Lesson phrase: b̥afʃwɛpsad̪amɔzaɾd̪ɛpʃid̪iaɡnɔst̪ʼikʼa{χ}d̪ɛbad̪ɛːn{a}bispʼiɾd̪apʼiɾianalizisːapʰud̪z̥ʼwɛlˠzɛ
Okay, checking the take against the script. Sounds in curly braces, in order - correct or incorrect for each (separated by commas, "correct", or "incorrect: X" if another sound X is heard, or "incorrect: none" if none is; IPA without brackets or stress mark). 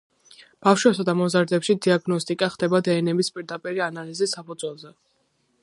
correct, incorrect: ɛ